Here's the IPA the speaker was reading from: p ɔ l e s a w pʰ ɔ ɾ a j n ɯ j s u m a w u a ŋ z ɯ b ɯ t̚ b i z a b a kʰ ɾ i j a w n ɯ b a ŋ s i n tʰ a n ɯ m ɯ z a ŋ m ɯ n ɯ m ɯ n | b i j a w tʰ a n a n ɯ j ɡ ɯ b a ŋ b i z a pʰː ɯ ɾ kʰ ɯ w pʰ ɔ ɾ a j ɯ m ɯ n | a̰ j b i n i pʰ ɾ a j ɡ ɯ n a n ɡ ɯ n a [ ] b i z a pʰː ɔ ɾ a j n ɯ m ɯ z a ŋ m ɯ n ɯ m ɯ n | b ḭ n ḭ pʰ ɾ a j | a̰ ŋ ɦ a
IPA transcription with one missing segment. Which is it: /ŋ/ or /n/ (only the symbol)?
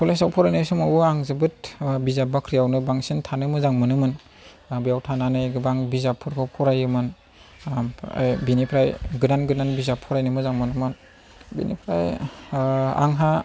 n